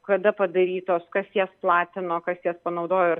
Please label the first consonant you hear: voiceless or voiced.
voiceless